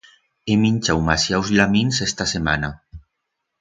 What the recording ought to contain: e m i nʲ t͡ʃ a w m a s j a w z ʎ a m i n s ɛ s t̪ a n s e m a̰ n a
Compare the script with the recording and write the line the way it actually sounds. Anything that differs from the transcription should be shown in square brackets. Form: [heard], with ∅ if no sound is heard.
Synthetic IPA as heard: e m i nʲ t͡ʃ a w m a s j a w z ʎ a m i n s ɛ s t̪ a [∅] s e m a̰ n a